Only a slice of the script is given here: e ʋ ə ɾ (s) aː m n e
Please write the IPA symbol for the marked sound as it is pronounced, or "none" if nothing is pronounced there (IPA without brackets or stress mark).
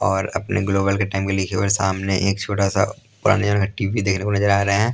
s